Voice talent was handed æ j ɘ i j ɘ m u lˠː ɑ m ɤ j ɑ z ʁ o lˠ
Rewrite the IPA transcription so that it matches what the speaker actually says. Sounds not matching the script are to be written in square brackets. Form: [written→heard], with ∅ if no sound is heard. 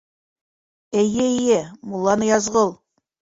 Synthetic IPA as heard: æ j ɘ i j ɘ m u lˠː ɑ [m→n] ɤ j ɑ z ʁ [o→ɤ] lˠ